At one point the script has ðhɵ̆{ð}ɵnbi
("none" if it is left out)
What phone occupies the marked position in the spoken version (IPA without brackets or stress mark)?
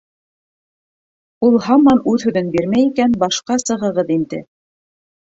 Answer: ð